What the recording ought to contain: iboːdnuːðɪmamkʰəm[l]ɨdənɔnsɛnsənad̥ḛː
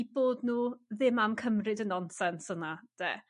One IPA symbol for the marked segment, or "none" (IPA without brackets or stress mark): r